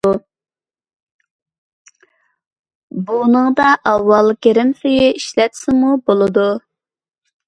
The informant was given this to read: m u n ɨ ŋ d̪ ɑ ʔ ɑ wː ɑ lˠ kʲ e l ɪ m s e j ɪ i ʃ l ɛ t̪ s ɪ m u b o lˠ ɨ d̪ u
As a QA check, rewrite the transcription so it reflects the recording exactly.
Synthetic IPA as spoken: b u n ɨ ŋ d̪ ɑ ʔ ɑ wː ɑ lˠ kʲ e ɾ ɪ m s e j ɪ i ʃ l ɛ t̪ s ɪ m u b o lˠ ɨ d̪ u